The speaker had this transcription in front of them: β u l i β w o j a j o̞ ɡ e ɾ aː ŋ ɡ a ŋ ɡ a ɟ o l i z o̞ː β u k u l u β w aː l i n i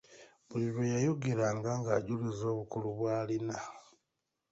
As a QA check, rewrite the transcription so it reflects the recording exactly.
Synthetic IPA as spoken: β u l i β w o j a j o̞ ɡ e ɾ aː ŋ ɡ a ŋ ɡ a ɟ u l i z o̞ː β u k u l u β w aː l i n a